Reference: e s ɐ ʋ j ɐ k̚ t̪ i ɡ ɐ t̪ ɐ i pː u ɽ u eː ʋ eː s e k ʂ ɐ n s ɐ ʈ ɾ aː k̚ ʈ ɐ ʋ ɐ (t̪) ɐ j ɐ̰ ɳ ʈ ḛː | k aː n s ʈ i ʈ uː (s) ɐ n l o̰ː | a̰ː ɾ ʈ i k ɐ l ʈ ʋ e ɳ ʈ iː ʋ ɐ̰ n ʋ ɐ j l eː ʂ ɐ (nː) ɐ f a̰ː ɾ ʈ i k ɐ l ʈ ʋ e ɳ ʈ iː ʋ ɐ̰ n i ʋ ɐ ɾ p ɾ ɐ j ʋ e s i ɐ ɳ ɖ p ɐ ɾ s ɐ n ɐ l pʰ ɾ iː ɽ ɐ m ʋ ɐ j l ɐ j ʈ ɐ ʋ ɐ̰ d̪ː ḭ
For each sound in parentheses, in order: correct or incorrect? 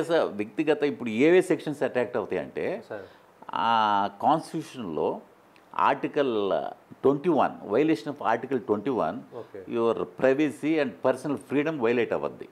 correct, incorrect, incorrect

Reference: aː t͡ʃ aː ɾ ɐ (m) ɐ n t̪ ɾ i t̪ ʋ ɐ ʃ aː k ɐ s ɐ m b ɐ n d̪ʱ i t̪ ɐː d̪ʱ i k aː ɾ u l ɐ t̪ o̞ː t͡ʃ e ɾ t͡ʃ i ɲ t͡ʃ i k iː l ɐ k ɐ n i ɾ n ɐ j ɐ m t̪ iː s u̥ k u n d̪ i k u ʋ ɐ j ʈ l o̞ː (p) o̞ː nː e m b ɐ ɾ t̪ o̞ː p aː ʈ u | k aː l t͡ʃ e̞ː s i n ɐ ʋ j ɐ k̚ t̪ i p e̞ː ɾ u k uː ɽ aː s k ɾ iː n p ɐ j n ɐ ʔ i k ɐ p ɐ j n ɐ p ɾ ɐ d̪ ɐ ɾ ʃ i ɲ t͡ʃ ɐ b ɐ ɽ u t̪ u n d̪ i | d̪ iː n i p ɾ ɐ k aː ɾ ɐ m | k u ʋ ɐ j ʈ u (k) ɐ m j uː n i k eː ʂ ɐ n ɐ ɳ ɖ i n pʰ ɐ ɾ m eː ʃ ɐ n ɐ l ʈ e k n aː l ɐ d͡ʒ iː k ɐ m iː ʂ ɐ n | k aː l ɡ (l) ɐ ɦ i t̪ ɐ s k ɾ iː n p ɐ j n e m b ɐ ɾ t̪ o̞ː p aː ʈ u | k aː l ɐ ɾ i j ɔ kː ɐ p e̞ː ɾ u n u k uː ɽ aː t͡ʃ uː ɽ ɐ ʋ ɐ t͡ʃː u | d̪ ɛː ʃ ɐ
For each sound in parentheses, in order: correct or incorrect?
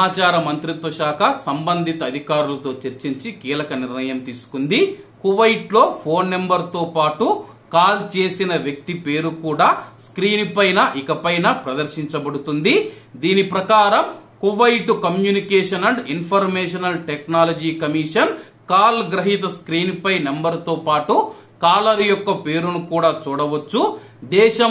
correct, incorrect, correct, incorrect

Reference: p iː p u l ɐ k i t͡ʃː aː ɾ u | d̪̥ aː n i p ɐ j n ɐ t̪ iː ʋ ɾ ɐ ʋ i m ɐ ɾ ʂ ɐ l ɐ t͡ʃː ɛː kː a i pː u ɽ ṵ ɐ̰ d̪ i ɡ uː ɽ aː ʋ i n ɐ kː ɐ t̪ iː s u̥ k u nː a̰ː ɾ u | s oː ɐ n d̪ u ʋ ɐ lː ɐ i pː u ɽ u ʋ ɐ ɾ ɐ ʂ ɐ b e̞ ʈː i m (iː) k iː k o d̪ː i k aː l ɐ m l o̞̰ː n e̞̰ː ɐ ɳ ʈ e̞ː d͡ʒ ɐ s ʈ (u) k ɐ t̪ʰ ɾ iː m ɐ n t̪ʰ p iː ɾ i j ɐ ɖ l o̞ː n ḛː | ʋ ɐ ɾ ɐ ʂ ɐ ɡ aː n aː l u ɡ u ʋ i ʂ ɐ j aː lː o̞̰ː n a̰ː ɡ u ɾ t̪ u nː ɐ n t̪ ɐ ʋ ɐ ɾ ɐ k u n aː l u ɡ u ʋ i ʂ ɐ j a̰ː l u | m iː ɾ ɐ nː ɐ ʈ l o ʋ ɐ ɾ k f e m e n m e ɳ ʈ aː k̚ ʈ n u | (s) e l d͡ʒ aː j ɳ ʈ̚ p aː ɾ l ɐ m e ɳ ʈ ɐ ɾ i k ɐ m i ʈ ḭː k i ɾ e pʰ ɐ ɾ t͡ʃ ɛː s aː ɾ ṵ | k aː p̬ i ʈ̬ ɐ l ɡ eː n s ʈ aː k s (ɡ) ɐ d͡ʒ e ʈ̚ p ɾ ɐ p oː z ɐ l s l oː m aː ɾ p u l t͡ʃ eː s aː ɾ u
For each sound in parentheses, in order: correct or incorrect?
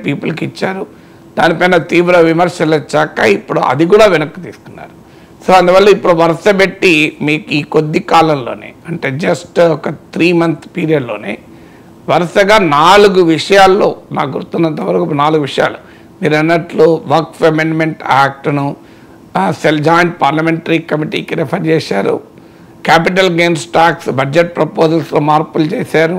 correct, incorrect, correct, incorrect

